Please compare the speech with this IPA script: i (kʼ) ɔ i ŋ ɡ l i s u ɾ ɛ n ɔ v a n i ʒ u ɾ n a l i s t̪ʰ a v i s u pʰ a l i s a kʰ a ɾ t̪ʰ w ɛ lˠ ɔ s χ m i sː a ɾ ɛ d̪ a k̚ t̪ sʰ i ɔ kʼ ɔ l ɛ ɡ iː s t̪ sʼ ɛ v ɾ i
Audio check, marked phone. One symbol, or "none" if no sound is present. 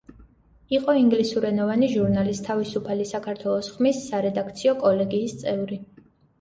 qʼ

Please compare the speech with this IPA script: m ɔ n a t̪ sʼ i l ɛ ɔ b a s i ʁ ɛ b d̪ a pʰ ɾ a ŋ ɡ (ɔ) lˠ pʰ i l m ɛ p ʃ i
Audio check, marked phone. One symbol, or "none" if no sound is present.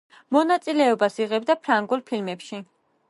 u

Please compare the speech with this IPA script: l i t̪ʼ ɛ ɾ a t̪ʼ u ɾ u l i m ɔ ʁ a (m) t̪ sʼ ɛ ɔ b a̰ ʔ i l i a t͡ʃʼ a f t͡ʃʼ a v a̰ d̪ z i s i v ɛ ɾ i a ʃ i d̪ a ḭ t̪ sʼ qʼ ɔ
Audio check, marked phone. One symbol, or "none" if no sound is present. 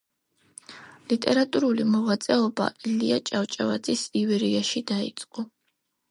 none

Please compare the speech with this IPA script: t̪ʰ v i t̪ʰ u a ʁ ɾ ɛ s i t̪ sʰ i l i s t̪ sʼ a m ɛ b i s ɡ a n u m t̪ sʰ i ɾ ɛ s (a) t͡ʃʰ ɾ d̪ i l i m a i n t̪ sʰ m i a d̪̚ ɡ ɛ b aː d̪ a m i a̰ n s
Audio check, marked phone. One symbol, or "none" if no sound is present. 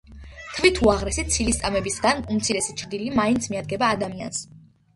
i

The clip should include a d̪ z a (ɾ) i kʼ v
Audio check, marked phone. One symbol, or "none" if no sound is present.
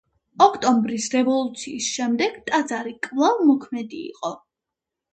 ɾ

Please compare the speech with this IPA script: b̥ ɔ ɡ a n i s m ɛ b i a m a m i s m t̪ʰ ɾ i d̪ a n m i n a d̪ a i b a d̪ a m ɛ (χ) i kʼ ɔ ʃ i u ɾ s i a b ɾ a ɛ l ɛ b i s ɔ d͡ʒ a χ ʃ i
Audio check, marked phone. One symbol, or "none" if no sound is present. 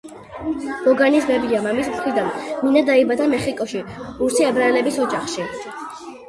χ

